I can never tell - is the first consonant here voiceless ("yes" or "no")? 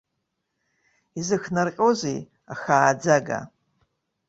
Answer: no